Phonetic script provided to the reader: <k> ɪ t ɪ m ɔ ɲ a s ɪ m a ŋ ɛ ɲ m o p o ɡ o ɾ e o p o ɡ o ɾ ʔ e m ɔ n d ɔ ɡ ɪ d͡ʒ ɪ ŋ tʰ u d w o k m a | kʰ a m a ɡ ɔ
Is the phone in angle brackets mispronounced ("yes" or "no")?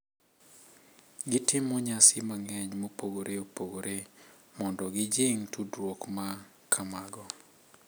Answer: yes